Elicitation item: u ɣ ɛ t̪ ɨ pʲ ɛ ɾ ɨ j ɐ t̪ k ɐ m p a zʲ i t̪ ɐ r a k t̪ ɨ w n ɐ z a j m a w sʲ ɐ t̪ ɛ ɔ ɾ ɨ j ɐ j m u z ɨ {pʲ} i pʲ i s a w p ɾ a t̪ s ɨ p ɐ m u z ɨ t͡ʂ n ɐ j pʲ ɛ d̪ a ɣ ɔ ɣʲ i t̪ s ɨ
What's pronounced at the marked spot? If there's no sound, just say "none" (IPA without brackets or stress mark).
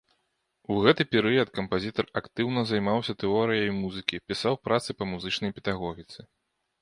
kʲ